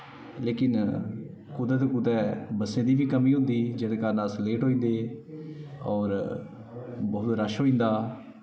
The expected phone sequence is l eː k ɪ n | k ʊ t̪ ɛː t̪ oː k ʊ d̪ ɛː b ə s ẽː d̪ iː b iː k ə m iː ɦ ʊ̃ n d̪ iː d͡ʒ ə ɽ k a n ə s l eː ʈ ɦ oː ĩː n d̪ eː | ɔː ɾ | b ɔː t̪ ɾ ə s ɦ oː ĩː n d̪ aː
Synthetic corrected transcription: l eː k ɪ n | k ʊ d̪ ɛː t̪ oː k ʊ d̪ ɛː b ə s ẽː d̪ iː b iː k ə m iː ɦ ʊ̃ n d̪ iː d͡ʒ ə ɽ k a n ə s l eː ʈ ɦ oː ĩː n d̪ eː | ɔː ɾ | b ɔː t̪ ɾ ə ʃ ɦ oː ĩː n d̪ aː